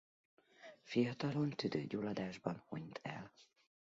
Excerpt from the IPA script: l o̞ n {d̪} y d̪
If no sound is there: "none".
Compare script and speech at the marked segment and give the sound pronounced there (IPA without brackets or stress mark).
t̪